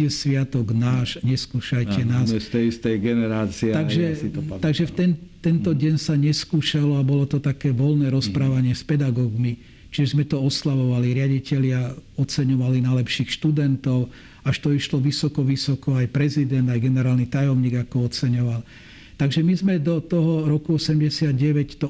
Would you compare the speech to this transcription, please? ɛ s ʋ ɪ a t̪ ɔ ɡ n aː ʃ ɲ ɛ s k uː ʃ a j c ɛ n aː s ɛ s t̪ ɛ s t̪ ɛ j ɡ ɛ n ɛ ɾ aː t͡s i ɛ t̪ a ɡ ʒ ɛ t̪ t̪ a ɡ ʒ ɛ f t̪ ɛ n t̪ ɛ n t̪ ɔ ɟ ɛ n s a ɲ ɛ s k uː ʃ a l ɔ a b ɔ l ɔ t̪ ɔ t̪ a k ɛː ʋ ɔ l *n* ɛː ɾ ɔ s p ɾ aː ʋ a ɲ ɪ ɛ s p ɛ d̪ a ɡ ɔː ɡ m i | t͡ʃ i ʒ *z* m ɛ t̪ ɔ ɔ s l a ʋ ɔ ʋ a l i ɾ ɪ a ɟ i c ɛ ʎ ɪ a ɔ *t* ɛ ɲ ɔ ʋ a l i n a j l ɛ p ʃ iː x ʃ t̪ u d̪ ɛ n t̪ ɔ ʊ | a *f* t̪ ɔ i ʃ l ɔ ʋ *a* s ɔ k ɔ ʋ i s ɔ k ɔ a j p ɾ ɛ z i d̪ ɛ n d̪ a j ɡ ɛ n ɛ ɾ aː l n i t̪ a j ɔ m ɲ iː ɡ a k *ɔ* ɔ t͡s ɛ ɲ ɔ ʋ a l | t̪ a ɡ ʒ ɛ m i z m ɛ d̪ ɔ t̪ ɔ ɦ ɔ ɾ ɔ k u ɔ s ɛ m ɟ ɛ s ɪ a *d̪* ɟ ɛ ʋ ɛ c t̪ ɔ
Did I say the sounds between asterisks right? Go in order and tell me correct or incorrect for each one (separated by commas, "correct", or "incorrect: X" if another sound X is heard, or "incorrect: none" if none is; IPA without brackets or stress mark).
correct, correct, incorrect: t͡s, incorrect: ʃ, incorrect: i, correct, correct